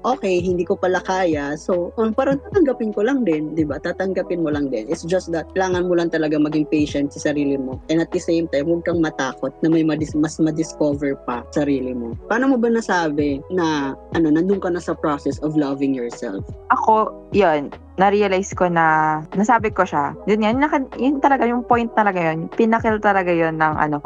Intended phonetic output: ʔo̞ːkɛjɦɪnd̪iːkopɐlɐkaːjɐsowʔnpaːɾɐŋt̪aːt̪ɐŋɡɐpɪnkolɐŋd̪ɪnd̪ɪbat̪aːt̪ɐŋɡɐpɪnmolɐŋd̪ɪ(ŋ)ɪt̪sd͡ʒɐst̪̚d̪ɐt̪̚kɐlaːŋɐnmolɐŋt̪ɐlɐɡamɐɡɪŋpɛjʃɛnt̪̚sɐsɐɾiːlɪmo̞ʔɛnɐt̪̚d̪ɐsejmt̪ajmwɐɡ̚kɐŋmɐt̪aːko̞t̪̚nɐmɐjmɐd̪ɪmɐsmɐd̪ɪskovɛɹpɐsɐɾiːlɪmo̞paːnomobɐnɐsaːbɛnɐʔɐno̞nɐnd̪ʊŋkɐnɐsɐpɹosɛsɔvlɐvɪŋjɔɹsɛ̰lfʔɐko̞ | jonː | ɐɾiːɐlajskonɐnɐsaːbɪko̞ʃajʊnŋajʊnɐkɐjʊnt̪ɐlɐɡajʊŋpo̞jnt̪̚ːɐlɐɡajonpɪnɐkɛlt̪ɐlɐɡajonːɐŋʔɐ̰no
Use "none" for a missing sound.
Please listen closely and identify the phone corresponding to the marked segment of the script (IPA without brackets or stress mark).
n